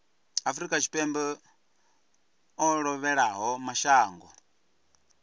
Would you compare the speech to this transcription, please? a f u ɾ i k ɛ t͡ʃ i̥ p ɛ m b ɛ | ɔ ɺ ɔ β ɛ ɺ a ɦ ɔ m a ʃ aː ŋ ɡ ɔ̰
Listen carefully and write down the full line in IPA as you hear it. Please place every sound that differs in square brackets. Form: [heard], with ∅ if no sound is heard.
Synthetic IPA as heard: a f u ɾ i k [a] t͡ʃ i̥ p ɛ m b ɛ | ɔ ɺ ɔ β ɛ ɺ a ɦ ɔ m a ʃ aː ŋ ɡ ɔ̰

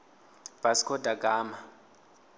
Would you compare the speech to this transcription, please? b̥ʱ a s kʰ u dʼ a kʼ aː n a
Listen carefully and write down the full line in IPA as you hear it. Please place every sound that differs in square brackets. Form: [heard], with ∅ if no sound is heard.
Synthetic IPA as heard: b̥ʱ a s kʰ [ɔ] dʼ a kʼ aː [m] a

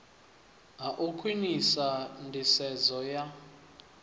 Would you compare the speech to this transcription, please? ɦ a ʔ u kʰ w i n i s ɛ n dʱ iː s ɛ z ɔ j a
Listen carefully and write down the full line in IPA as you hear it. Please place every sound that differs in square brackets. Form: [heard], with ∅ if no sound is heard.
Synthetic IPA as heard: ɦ a ʔ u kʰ w i n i s [a] n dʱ [i] s ɛ z ɔ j a

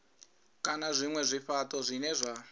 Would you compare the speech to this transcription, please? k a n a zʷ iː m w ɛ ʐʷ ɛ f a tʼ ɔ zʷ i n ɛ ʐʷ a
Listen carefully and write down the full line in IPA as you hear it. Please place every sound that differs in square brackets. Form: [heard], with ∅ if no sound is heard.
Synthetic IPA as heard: k a n a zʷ [i] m w ɛ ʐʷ [i] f a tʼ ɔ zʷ i n ɛ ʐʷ a

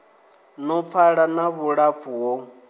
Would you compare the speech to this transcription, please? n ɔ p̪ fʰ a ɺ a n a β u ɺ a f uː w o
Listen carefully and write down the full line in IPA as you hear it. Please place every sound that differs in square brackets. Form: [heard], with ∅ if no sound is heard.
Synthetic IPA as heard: n ɔ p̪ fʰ a ɺ a n a β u ɺ a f [u] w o

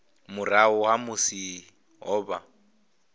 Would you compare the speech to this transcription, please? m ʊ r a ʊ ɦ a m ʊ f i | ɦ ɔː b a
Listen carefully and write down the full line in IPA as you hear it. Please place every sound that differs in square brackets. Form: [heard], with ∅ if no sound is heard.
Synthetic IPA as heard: m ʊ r a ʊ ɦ a m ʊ [s] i | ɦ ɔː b a

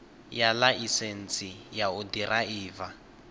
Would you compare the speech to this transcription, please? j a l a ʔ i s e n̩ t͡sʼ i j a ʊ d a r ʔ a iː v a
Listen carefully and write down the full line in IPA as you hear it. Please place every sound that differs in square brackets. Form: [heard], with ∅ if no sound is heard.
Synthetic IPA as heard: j a l a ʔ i s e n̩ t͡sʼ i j a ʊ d [i] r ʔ a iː v a

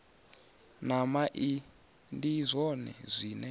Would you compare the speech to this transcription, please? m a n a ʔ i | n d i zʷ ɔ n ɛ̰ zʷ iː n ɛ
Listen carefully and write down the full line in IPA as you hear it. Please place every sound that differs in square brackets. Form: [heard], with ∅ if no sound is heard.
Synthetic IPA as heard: [n] a [m] a ʔ i | n d i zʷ ɔ n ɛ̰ zʷ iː n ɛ

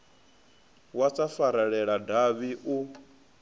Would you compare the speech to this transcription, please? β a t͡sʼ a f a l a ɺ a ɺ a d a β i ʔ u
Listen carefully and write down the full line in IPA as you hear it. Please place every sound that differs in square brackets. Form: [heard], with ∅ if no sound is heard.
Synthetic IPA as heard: [w] a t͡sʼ a f a [ɾ] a ɺ [ɛ] ɺ a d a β i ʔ u

